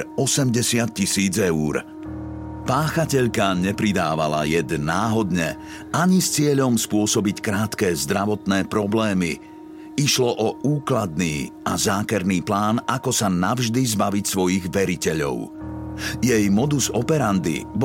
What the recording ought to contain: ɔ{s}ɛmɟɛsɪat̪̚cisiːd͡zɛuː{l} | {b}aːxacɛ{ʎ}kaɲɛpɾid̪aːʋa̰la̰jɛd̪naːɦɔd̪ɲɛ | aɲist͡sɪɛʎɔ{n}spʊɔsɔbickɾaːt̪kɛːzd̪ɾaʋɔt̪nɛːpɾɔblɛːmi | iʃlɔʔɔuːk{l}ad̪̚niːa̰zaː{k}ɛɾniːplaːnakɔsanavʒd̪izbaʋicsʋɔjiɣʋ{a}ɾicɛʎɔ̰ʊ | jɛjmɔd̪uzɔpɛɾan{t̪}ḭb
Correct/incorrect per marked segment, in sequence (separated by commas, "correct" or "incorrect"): correct, incorrect, incorrect, correct, incorrect, correct, correct, incorrect, incorrect